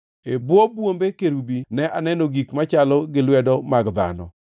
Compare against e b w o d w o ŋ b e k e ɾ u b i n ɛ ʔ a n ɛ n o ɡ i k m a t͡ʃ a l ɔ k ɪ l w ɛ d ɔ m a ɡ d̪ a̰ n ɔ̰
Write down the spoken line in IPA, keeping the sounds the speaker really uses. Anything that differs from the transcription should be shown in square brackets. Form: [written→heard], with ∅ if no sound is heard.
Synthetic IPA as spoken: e b w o [d→b] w o [ŋ→m] b e k e ɾ u b i n ɛ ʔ a n ɛ n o ɡ i k m a t͡ʃ a l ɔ [k→ɡ] ɪ l w ɛ d ɔ m a ɡ d̪ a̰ n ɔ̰